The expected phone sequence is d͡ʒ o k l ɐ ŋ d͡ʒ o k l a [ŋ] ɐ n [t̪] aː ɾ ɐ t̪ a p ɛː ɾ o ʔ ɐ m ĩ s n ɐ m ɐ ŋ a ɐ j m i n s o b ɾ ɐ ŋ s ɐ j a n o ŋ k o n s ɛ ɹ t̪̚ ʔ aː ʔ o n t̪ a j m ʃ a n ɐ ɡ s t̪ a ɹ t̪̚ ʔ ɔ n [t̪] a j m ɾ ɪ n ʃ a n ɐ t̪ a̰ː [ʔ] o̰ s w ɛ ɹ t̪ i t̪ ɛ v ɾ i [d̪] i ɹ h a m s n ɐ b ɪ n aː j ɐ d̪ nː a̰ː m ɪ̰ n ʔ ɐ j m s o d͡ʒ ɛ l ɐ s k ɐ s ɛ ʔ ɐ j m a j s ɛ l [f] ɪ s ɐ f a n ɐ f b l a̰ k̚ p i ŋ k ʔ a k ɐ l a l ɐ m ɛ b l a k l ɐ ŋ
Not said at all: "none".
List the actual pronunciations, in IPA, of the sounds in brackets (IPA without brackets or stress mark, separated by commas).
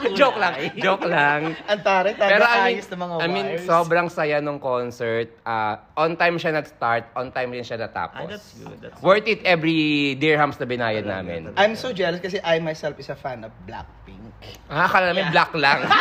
ŋ, t̪, t̪, p, d̪, f